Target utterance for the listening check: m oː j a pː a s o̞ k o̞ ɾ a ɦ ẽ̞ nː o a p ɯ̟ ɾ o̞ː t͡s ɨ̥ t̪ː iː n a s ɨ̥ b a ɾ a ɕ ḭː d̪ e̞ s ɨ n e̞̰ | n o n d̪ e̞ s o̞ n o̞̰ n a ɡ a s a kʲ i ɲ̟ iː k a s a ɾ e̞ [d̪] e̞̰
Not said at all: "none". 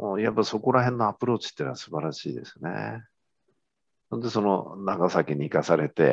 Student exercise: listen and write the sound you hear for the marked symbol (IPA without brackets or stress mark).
t̪